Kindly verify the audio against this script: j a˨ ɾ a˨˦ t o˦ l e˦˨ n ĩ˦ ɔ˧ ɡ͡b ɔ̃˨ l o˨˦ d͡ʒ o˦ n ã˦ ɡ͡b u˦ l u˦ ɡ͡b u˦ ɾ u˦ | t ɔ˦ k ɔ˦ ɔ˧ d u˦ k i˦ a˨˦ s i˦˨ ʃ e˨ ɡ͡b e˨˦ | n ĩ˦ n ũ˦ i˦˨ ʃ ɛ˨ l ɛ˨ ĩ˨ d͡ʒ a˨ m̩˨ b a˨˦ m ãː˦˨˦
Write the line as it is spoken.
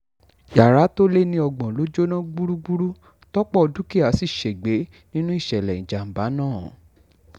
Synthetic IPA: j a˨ ɾ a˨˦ t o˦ l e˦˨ n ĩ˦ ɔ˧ ɡ͡b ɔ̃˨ l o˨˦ d͡ʒ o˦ n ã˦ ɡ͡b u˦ ɾ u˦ ɡ͡b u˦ ɾ u˦ | t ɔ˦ k͡p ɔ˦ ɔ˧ d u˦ k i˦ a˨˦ s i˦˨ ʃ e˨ ɡ͡b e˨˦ | n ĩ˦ n ũ˦ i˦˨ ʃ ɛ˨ l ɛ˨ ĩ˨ d͡ʒ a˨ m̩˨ b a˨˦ n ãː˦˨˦